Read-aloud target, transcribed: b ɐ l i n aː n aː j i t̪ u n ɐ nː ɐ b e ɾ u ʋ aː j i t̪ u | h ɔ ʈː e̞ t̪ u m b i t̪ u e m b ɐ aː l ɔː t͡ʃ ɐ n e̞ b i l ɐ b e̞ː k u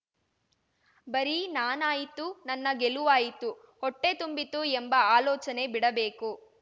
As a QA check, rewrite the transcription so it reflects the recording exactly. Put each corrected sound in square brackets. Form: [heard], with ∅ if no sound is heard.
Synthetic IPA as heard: b ɐ [ɾ] i n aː n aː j i t̪ u n ɐ nː ɐ [ɡ] e [l] u ʋ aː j i t̪ u | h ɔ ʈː e̞ t̪ u m b i t̪ u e m b ɐ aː l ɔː t͡ʃ ɐ n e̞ b i [ɽ] ɐ b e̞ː k u